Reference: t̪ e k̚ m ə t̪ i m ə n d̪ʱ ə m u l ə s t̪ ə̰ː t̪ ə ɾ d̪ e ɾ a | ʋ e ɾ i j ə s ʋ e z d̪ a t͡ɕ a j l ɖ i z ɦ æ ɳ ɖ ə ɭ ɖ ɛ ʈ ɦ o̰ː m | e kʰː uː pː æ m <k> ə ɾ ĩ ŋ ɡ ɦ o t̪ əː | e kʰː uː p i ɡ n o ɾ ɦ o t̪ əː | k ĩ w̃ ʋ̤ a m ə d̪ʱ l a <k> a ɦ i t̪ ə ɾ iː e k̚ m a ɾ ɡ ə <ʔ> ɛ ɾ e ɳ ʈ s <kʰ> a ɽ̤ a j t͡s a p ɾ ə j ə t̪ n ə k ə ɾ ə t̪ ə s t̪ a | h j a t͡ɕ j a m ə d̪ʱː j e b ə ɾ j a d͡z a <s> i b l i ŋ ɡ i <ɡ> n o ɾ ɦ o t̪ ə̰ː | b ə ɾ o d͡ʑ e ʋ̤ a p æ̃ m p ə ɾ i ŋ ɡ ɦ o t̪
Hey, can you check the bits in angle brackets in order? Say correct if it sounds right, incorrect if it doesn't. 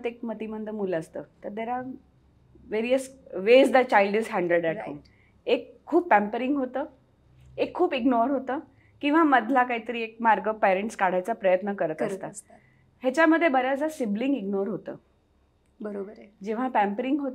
incorrect: p, correct, incorrect: p, incorrect: k, correct, correct

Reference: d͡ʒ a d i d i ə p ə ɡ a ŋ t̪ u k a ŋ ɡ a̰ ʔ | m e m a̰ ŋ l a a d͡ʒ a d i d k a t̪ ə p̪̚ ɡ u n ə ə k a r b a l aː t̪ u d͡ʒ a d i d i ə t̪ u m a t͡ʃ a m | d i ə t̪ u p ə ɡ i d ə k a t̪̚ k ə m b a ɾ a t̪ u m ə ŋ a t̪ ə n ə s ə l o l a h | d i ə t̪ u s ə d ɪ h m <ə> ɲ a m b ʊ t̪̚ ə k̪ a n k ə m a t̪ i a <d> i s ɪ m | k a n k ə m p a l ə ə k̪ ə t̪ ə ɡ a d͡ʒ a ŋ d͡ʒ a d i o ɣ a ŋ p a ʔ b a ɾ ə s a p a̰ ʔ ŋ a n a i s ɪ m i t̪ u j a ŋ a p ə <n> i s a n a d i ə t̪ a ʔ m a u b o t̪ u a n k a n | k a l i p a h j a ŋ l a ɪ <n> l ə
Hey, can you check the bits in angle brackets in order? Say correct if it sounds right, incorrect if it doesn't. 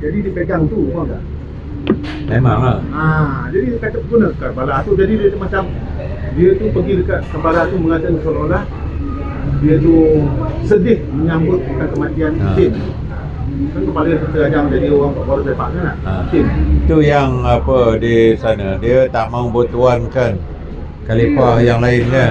correct, incorrect: n, incorrect: d, correct

